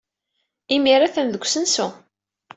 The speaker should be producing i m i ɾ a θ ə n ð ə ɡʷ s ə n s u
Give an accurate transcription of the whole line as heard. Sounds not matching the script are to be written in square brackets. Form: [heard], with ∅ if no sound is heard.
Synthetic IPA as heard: i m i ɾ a θ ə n ð ə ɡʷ s ə n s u